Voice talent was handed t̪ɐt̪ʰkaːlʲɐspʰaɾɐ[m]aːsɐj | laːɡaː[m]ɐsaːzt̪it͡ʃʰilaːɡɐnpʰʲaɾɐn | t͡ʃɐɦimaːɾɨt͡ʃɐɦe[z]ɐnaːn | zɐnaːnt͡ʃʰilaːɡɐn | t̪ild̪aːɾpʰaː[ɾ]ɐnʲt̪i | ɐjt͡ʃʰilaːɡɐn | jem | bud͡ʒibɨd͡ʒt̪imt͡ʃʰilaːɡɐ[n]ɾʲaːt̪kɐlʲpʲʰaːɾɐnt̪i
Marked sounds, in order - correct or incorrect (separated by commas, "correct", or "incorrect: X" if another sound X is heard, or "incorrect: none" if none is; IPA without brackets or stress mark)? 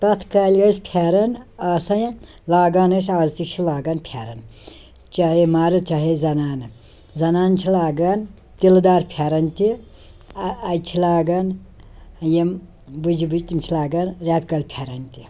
incorrect: n, incorrect: n, correct, correct, correct